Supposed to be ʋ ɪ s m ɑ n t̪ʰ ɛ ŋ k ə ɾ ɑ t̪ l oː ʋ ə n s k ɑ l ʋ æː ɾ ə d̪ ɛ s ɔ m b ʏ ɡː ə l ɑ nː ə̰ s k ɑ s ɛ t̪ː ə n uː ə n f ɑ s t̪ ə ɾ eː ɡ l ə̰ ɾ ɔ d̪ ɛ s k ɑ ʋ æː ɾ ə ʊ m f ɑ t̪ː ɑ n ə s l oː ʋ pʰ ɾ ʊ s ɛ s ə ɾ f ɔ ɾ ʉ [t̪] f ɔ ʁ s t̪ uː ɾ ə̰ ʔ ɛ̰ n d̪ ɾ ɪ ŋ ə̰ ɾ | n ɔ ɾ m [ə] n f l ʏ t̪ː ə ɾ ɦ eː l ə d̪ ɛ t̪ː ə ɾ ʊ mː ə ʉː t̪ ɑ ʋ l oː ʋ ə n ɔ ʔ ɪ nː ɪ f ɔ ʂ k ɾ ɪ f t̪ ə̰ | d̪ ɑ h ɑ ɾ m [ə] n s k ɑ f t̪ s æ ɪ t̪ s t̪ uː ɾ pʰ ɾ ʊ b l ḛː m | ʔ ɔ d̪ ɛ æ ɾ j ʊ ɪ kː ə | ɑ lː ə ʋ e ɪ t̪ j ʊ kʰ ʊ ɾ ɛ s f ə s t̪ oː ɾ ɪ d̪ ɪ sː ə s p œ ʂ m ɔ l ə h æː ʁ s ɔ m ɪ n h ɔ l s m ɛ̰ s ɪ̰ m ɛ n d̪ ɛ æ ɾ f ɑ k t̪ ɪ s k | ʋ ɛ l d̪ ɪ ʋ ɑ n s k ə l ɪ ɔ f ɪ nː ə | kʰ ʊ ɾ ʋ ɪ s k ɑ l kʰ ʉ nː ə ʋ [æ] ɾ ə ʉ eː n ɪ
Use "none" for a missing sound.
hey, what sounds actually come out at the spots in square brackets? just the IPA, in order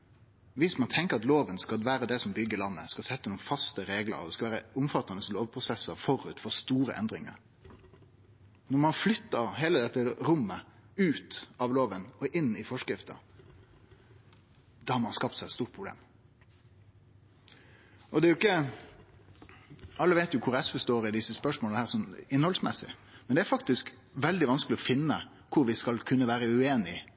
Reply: t̪, ɑ, ɑ, æː

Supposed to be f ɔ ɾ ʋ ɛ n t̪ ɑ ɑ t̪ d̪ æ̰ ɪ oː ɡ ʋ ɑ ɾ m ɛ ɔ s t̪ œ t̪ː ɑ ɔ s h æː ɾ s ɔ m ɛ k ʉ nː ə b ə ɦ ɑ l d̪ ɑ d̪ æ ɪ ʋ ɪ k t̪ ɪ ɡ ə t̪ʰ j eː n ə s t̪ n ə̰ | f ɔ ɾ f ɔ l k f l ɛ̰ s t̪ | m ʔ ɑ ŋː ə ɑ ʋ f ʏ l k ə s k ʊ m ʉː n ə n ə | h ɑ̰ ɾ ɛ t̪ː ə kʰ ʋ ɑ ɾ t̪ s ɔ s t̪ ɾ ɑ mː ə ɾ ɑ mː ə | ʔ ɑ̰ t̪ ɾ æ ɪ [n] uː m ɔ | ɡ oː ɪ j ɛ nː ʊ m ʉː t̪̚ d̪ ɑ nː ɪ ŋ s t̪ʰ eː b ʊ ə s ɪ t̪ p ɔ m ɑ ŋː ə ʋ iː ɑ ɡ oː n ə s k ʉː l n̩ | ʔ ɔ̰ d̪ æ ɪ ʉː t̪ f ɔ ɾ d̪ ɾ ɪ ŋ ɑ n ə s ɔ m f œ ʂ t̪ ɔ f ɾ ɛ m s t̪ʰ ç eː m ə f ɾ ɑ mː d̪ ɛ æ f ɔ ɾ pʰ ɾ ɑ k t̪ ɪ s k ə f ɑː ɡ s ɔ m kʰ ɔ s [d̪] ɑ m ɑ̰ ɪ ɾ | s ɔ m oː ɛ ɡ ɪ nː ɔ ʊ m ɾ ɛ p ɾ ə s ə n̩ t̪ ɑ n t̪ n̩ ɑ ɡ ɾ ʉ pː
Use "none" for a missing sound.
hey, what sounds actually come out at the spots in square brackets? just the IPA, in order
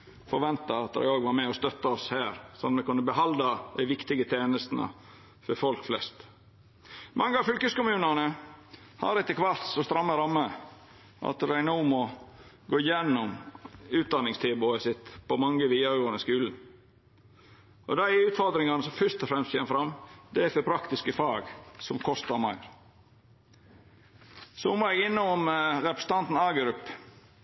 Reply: n, t̪

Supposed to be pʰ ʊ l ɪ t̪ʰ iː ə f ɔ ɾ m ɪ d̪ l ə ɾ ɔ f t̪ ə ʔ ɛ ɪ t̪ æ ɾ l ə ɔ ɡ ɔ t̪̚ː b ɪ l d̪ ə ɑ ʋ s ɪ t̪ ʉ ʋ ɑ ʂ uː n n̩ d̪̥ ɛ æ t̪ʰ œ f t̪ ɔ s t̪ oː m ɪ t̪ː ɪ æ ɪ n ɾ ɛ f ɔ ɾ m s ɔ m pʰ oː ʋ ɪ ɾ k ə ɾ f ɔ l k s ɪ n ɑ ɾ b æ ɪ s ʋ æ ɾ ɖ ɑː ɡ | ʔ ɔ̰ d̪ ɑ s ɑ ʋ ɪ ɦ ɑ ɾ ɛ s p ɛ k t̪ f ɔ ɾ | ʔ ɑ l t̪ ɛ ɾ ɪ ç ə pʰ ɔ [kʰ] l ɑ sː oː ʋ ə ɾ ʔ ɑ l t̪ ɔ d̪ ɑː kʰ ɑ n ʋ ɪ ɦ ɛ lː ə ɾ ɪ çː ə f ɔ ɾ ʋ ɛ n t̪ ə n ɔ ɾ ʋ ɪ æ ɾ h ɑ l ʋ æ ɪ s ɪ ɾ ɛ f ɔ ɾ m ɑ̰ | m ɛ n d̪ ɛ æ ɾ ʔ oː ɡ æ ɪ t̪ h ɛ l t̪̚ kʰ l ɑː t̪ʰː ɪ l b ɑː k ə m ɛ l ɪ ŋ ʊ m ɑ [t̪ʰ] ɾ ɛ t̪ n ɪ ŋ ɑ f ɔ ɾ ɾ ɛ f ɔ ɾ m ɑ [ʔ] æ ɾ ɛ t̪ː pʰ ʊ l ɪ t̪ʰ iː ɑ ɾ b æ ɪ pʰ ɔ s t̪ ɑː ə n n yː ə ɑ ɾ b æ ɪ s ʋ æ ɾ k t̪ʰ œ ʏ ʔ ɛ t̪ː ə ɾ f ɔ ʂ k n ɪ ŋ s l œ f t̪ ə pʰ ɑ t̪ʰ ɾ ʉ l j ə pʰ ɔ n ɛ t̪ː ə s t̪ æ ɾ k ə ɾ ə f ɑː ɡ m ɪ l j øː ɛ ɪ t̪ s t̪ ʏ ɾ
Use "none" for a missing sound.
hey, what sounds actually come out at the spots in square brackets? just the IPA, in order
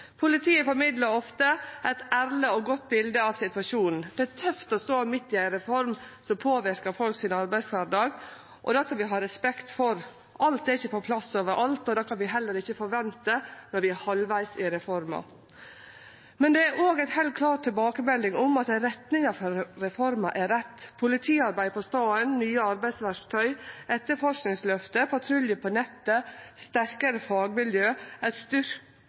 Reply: pʰ, t̪, ʔ

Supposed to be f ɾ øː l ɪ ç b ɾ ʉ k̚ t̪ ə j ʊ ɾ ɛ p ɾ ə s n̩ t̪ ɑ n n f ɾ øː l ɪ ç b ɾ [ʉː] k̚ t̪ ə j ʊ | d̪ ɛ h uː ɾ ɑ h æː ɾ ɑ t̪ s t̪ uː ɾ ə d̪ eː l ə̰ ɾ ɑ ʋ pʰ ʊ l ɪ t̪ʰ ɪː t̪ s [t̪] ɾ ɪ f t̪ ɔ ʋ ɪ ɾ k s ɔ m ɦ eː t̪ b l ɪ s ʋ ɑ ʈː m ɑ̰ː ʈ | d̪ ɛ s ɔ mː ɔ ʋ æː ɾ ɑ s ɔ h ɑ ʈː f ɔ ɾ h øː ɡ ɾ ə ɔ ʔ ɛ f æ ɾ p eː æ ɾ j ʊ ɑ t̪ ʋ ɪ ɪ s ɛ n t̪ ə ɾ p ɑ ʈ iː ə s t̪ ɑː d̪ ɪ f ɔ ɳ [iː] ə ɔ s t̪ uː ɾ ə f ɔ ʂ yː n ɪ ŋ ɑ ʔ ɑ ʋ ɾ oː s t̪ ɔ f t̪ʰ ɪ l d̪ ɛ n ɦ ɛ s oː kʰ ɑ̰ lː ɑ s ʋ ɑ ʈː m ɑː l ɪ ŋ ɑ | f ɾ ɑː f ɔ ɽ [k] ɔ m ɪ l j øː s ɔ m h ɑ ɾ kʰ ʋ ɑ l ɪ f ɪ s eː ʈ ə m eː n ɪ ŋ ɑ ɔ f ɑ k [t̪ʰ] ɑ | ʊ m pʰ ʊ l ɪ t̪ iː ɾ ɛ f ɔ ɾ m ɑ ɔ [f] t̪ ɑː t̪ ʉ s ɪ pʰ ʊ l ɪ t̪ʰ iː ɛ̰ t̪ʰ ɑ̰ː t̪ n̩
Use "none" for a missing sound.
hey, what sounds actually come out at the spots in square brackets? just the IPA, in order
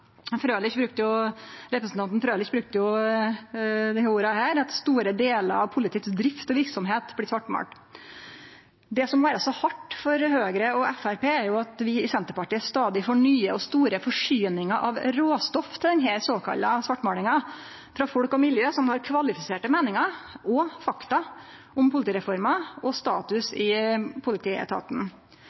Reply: ʉ, d̪, yː, k, t̪, s

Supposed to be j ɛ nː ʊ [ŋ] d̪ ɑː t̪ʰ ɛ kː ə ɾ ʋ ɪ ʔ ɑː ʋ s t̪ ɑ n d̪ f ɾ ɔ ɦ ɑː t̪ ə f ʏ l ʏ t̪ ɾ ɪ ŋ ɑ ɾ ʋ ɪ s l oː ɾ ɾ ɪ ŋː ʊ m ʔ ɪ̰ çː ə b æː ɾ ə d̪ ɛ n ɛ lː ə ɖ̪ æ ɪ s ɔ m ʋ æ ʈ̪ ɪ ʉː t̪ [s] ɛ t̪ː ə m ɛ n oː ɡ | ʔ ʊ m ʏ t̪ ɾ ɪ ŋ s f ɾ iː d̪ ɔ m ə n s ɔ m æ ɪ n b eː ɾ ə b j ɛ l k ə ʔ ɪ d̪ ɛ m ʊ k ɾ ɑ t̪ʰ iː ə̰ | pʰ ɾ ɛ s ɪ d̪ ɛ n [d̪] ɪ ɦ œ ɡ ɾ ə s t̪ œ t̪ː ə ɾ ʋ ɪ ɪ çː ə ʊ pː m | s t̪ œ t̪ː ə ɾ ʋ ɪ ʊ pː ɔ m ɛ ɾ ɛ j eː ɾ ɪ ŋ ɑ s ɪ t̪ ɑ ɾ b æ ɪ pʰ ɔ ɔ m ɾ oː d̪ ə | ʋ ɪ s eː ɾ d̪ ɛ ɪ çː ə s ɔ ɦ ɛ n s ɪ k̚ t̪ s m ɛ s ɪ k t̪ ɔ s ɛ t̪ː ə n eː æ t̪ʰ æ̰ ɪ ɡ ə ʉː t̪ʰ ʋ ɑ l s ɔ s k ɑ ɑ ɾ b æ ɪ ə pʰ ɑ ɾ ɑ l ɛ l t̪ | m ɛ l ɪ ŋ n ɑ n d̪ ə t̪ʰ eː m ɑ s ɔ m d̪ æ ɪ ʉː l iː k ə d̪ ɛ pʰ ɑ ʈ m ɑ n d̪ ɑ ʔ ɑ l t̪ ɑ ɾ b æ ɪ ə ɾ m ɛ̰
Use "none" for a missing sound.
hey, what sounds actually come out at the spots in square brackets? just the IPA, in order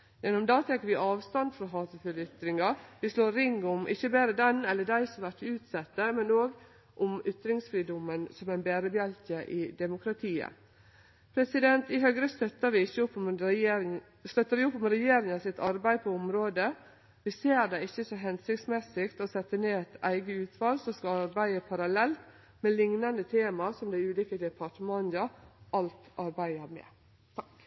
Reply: m, s, t̪

